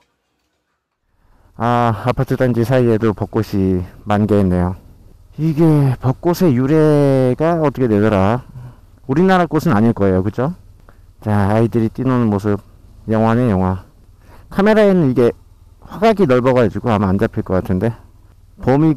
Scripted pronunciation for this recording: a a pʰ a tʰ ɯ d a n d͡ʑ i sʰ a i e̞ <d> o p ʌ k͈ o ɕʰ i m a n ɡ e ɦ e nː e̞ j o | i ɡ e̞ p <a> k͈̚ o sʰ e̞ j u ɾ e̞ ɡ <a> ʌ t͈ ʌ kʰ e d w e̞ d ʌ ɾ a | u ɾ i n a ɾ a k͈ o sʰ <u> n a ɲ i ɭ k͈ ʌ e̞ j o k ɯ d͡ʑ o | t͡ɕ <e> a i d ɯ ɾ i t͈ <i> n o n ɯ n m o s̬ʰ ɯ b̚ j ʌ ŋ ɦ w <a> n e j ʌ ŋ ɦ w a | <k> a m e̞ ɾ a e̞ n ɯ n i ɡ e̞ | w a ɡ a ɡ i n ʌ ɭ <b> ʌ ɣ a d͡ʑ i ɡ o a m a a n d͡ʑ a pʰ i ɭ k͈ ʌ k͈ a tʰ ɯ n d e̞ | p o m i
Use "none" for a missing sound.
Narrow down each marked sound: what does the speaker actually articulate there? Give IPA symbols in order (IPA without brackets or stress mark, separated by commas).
d, ʌ, a, ɯ, a, i, a, kʰ, b